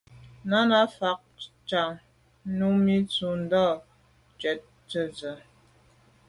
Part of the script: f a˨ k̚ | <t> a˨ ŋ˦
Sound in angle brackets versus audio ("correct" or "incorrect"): incorrect